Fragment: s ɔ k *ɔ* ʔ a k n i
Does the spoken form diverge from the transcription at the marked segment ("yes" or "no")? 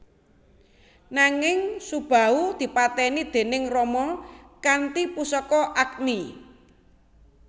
no